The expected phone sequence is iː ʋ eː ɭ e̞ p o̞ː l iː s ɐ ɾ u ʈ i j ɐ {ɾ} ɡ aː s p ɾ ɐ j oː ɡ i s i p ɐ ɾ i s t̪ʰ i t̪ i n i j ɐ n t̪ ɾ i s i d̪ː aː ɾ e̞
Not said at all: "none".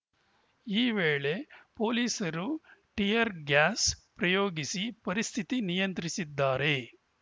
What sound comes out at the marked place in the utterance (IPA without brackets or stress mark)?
ɾ